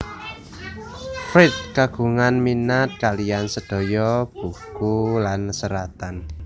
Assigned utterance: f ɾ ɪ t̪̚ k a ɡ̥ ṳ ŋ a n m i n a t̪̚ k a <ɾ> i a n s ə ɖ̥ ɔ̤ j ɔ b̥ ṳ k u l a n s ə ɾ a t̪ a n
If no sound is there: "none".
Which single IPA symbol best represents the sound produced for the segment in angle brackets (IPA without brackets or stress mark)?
l